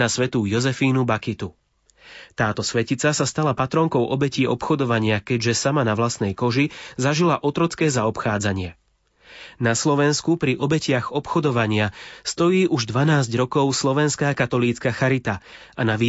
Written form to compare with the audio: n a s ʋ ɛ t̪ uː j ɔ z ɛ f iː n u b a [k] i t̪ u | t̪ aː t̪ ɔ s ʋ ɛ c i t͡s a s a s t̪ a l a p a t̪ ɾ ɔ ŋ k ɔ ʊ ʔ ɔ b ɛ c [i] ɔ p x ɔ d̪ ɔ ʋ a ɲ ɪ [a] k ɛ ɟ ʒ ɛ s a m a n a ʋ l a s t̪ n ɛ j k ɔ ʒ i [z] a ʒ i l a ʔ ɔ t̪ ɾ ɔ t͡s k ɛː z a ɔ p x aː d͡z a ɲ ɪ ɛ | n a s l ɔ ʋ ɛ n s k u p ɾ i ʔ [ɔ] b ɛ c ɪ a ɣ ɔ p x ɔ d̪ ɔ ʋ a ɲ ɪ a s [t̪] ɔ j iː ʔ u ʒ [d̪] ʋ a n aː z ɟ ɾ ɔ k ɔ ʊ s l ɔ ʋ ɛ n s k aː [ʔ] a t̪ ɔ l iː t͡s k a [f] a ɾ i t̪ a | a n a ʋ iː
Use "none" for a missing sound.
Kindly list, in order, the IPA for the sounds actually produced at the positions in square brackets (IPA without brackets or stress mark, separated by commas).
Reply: k, iː, a, z, ɔ, t̪, d̪, k, x